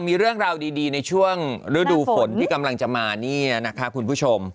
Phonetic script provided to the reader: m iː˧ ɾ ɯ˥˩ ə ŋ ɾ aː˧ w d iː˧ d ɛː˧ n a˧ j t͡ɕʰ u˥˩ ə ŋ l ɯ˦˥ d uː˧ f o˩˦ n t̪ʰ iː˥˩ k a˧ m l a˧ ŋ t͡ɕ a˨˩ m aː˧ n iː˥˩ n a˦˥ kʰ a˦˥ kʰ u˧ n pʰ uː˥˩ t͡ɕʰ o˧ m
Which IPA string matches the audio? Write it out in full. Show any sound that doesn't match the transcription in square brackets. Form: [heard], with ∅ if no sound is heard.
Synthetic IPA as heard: m iː˧ ɾ ɯ˥˩ ə ŋ ɾ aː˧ w d iː˧ d [iː˧] n a˧ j t͡ɕʰ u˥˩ ə ŋ [ɾ] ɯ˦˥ d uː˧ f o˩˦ n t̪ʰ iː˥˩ k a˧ m l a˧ ŋ t͡ɕ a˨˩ m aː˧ n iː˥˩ n a˦˥ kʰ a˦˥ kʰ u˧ n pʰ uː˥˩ t͡ɕʰ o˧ m

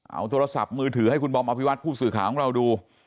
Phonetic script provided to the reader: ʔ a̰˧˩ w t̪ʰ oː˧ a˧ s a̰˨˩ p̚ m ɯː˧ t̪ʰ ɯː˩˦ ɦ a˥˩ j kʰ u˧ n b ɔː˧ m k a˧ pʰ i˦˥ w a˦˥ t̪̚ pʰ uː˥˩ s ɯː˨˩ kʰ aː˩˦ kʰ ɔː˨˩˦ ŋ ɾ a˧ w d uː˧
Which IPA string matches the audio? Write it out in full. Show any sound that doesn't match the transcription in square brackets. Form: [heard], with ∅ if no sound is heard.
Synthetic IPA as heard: ʔ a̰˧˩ w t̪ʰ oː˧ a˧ s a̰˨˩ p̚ m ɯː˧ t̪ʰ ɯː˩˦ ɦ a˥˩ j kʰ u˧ n b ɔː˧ m [ʔ] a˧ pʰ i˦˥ w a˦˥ t̪̚ pʰ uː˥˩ s ɯː˨˩ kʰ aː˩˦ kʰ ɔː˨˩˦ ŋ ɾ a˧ w d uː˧

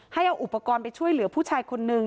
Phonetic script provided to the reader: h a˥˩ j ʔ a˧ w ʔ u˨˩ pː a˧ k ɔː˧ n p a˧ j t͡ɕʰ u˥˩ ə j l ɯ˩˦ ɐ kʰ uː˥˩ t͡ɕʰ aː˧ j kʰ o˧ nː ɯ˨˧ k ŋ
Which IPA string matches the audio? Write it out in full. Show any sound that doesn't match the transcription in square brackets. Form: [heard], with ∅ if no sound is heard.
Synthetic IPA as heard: h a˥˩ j ʔ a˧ w ʔ u˨˩ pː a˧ k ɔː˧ n p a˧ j t͡ɕʰ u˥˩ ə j l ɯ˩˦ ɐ [pʰ] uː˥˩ t͡ɕʰ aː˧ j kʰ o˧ nː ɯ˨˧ [∅] ŋ

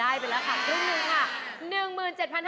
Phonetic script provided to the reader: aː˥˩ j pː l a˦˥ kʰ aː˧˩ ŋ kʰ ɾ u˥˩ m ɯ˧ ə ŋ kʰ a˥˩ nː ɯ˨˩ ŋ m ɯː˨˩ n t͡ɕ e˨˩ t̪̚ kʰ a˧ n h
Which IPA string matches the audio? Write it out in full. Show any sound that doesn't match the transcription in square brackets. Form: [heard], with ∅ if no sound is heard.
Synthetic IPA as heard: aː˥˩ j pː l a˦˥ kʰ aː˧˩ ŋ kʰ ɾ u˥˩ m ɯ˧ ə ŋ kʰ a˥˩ [n] ɯ˨˩ ŋ m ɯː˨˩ n t͡ɕ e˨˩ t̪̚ [pʰ] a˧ n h

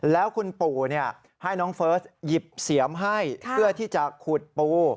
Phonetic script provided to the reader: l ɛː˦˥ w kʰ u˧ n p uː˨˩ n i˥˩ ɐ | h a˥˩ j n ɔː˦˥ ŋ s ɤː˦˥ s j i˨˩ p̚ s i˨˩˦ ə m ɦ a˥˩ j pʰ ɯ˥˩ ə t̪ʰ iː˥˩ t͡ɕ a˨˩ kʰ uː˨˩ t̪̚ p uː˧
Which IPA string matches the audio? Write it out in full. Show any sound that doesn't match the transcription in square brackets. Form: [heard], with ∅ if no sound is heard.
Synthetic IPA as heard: l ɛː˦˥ w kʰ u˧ n p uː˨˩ n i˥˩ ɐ | h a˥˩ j n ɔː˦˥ ŋ [f] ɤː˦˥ s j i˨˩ p̚ s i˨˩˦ ə m ɦ a˥˩ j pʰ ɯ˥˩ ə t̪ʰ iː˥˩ t͡ɕ a˨˩ kʰ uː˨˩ t̪̚ p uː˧

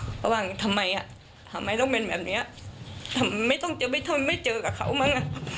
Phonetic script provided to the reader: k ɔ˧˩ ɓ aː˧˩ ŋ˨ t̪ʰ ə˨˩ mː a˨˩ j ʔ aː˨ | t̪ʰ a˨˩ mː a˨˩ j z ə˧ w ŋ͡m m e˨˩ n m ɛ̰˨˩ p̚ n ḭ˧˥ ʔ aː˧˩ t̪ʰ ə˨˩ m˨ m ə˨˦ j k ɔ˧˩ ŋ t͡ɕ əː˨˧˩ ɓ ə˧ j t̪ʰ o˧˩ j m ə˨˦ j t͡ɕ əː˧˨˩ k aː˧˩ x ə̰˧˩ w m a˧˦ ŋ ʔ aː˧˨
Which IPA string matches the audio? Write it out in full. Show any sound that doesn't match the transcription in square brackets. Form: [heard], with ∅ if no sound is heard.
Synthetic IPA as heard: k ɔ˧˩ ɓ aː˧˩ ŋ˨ t̪ʰ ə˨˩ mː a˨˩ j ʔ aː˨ | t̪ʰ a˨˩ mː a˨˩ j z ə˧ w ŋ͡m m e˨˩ n m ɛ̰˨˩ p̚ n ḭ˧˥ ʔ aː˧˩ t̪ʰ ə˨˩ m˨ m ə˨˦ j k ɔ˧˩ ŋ t͡ɕ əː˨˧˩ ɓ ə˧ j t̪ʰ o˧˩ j m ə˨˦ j t͡ɕ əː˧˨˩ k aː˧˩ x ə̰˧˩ w m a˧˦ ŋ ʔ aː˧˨

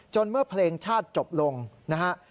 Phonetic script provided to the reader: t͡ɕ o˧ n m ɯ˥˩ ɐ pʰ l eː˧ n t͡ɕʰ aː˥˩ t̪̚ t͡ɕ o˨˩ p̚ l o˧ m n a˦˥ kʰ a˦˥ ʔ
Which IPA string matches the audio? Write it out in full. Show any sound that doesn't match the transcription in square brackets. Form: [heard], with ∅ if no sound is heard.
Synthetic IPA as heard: t͡ɕ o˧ n m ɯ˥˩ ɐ pʰ l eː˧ [ŋ] t͡ɕʰ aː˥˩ t̪̚ t͡ɕ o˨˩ p̚ l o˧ [ŋ] n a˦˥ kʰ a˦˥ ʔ

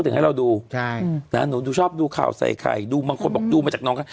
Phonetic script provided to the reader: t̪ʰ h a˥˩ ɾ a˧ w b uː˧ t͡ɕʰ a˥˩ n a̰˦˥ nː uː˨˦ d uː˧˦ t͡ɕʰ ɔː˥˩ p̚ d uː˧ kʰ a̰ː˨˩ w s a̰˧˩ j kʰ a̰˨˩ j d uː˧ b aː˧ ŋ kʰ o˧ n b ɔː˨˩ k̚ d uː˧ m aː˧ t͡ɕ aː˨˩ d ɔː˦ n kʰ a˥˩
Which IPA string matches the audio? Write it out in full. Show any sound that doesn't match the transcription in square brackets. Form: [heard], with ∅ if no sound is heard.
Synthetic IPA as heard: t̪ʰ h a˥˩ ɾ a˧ w [d] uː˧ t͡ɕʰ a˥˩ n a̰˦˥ [n] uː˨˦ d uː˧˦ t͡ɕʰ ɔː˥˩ p̚ d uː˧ kʰ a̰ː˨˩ w s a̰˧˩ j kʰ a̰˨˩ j d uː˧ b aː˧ ŋ kʰ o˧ n b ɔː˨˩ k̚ d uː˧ m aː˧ t͡ɕ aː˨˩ [n] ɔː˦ [ŋ] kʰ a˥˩

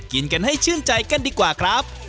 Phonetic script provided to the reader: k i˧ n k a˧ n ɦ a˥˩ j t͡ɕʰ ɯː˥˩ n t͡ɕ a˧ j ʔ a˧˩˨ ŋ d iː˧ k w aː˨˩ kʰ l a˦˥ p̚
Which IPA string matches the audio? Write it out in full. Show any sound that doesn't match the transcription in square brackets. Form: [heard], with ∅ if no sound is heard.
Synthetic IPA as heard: k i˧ n k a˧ n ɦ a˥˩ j t͡ɕʰ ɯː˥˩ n t͡ɕ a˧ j [k] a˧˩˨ [n] d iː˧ k w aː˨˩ kʰ [ɾ] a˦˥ p̚

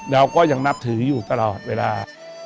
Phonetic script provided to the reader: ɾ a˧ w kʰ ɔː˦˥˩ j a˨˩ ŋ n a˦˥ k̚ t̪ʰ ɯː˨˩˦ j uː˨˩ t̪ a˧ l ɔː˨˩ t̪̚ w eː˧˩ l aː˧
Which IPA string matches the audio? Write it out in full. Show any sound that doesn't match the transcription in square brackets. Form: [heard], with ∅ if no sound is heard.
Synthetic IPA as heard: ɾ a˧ w [k] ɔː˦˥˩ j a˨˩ ŋ n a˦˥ [p̚] t̪ʰ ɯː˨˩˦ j uː˨˩ t̪ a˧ l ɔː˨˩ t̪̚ w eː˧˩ l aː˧

